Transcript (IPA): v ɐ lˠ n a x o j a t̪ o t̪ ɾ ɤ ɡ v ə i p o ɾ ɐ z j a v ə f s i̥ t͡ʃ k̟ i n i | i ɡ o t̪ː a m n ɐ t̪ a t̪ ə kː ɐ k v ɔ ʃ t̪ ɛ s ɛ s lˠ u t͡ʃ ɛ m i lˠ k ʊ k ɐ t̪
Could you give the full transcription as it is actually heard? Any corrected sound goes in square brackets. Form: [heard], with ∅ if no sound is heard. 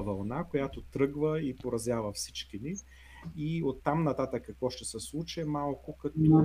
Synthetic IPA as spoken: v ɐ lˠ n a [k] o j a t̪ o t̪ ɾ ɤ ɡ v ə i p o ɾ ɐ z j a v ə f s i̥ t͡ʃ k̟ i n i | i [∅] o t̪ː a m n ɐ t̪ a t̪ ə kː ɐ k v ɔ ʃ t̪ ɛ s ɛ s lˠ u t͡ʃ ɛ m [a] lˠ k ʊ k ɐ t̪